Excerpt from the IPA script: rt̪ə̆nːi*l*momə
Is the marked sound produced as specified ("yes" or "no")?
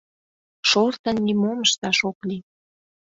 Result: no